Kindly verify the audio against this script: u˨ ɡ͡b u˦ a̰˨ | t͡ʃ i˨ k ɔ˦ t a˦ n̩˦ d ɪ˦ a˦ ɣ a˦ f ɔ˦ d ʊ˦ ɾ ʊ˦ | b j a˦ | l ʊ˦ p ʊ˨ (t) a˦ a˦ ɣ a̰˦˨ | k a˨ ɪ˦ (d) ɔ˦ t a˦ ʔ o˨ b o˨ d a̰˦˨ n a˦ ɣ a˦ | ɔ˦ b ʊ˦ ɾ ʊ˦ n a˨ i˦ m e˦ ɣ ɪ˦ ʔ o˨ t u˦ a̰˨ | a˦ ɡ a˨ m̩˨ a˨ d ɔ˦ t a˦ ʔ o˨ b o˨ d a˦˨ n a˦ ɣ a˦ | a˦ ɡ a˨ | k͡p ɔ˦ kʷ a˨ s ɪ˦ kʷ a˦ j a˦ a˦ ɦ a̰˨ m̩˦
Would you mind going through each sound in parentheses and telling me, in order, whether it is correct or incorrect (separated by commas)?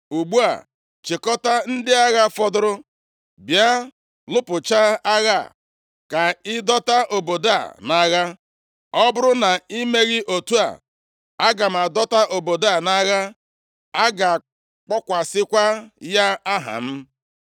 incorrect, correct